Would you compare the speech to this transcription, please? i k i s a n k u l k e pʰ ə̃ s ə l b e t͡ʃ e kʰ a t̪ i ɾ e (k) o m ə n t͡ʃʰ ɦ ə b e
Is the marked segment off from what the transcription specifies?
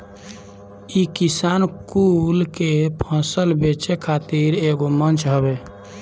yes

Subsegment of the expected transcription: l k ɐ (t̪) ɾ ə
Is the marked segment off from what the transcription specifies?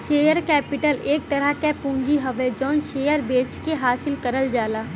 yes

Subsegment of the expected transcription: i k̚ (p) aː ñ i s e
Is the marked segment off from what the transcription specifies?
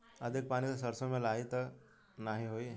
no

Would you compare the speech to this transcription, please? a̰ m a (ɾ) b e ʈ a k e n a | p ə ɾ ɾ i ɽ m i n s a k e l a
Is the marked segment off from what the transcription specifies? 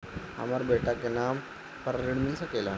no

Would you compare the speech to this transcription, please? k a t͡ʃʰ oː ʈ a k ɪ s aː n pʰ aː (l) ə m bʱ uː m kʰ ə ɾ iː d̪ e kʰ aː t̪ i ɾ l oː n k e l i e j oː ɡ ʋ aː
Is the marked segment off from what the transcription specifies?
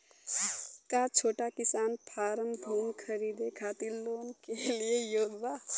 yes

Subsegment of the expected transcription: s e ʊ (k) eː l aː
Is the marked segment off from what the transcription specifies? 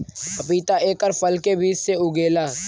yes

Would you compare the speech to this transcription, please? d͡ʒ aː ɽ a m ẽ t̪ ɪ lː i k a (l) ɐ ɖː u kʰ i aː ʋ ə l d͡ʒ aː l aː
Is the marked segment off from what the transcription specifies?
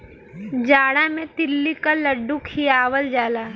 no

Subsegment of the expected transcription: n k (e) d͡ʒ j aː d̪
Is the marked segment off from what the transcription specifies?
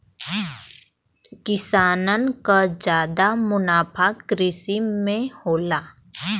yes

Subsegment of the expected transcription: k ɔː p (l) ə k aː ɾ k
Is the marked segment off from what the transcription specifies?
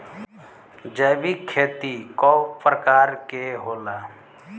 yes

